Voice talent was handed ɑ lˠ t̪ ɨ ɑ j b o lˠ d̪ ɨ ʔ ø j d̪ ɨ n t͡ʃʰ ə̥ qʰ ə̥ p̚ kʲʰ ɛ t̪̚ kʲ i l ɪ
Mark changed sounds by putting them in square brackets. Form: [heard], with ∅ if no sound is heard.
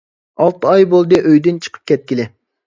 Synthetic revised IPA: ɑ lˠ t̪ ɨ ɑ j b o lˠ d̪ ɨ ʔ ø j d̪ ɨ n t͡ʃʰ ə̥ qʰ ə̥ p̚ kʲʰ ɛ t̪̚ kʲ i l ɪ